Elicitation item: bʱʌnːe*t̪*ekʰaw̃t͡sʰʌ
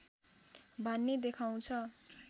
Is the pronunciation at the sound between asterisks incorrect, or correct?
incorrect